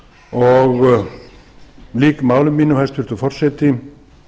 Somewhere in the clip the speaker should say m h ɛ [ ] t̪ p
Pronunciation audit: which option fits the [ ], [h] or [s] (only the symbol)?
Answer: s